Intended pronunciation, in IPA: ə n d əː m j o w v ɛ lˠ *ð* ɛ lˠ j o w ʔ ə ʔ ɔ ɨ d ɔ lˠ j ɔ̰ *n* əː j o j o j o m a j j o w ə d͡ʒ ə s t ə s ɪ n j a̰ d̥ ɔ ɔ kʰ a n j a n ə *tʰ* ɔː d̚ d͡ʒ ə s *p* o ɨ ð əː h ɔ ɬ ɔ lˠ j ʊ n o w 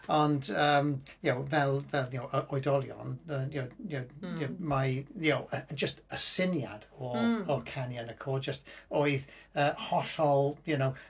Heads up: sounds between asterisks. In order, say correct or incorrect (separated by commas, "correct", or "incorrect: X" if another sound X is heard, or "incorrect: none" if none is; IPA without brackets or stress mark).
incorrect: v, correct, incorrect: kʰ, incorrect: t